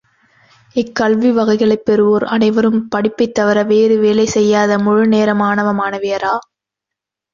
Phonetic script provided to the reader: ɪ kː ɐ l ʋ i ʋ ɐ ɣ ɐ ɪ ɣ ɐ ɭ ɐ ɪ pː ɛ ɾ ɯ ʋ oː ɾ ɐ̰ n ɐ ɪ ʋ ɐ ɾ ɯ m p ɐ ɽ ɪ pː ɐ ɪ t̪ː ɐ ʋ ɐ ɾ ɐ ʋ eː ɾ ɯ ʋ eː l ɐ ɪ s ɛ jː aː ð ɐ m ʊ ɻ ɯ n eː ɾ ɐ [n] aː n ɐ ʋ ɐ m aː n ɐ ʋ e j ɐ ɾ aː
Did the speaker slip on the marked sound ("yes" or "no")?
yes